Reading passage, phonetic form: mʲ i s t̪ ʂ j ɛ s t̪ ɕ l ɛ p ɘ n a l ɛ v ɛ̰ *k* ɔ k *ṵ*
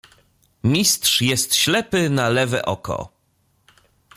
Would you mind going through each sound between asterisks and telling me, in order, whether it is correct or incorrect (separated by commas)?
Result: incorrect, incorrect